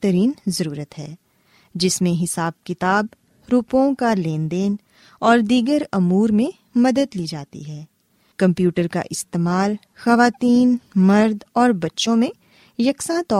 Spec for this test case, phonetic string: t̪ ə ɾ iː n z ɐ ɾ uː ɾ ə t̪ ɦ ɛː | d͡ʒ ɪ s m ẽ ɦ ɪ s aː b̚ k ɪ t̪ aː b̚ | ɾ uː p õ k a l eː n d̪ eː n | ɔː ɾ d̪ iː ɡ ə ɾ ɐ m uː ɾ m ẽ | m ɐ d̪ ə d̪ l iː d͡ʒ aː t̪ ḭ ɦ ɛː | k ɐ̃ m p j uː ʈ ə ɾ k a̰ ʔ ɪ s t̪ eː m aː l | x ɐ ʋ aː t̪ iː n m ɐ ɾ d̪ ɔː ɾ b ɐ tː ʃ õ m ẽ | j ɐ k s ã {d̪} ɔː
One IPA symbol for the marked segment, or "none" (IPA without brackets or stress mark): t̪